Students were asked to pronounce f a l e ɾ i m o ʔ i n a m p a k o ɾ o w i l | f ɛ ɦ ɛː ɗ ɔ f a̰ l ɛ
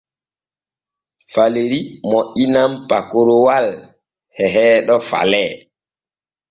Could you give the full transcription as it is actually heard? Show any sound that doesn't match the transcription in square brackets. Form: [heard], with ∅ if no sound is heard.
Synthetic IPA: f a l e ɾ i m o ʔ i n a m p a k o ɾ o w [a] l | [h] ɛ ɦ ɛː ɗ ɔ f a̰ l ɛ

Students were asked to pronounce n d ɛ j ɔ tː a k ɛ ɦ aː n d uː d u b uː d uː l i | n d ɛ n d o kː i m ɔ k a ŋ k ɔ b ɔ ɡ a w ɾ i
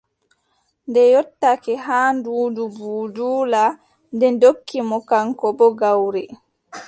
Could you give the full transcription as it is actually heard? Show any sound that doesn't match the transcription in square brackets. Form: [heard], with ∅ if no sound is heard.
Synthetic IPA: n d ɛ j ɔ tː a k ɛ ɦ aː n d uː d u b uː d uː l [a] | n d ɛ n d o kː i m ɔ k a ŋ k ɔ b ɔ ɡ a w ɾ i

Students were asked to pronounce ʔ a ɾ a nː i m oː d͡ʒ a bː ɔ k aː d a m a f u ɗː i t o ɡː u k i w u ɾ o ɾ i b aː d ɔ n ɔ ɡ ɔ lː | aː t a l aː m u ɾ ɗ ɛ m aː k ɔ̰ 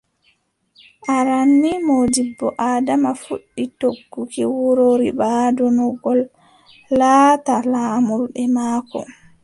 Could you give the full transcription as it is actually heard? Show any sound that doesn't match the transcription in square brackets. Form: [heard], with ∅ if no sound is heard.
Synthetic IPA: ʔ a ɾ a nː i m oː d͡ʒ [i] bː ɔ [ʔ] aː d a m a f u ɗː i t o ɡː u k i w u ɾ o ɾ i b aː d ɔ n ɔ ɡ ɔ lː | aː t a l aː m u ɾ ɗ ɛ m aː k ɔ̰

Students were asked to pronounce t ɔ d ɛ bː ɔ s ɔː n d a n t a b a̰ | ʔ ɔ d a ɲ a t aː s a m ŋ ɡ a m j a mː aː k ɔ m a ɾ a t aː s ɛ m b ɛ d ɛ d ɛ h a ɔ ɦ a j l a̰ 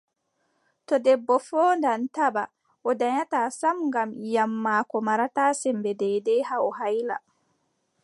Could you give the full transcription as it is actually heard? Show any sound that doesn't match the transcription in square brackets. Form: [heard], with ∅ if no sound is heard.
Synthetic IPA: t ɔ d ɛ bː ɔ [f] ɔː n d a n t a b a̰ | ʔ ɔ d a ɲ a t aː s a m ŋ ɡ a m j a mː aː k ɔ m a ɾ a t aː s ɛ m b ɛ d ɛ d ɛ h a ɔ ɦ a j l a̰

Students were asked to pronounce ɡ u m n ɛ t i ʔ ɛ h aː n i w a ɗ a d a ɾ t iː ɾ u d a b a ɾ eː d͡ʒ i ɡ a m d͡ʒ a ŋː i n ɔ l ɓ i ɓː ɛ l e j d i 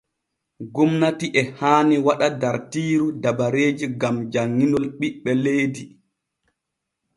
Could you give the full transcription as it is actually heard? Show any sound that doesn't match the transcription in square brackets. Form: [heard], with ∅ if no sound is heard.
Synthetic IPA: ɡ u m n [a] t i ʔ ɛ h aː n i w a ɗ a d a ɾ t iː ɾ u d a b a ɾ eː d͡ʒ i ɡ a m d͡ʒ a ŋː i n ɔ l ɓ i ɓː ɛ l e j d i

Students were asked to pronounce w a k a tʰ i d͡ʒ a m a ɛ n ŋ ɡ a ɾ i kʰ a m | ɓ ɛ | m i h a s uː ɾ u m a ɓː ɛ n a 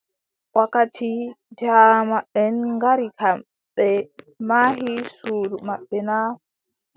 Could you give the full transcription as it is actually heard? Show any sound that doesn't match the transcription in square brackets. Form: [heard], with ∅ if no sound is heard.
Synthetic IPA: w a k a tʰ i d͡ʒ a m a ɛ n ŋ ɡ a ɾ i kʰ a m | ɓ ɛ | m [a] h [i] s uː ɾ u m a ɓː ɛ n a

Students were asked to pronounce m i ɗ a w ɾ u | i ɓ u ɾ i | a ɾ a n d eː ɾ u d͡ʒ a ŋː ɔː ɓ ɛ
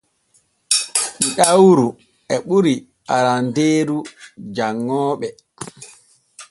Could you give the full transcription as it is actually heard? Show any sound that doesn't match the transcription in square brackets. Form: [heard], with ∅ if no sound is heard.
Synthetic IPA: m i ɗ a w ɾ u | [ɛ] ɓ u ɾ i | a ɾ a n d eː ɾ u d͡ʒ a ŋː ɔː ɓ ɛ

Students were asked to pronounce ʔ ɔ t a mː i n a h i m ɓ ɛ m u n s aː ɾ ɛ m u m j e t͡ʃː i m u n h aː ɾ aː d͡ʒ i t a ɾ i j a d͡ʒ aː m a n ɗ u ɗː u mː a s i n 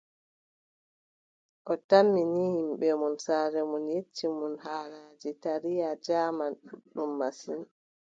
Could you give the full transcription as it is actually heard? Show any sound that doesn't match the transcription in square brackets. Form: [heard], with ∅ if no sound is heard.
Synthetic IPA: ʔ ɔ t a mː i n [i] h i m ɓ ɛ m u n s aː ɾ ɛ m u [n] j e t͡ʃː i m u n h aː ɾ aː d͡ʒ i t a ɾ i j a d͡ʒ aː m a n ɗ u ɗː u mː a s i n

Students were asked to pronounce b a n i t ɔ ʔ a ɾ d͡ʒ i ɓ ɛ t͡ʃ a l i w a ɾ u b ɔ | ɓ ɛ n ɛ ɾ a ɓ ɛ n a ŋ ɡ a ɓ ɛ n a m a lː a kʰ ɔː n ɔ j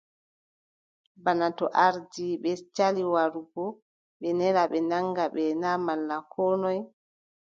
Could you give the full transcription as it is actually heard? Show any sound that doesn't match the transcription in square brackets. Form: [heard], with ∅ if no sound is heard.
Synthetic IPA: b a n [a] t ɔ ʔ a ɾ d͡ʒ i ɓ ɛ t͡ʃ a l i w a ɾ u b ɔ | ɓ ɛ n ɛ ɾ a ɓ ɛ n a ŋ ɡ a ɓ ɛ n a m a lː a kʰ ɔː n ɔ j

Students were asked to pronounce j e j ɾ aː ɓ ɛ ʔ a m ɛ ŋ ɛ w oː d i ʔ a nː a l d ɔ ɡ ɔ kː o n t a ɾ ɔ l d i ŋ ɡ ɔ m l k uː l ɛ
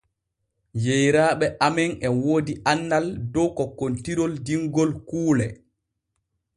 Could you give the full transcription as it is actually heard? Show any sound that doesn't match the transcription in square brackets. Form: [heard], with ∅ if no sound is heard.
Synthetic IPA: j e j ɾ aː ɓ ɛ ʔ a m ɛ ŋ ɛ w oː d i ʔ a nː a l d ɔ [k] ɔ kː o n t [i] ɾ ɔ l d i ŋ ɡ ɔ [∅] l k uː l ɛ

